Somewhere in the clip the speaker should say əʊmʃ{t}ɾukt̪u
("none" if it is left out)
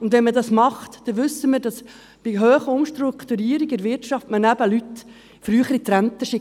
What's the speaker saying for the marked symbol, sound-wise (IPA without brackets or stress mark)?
t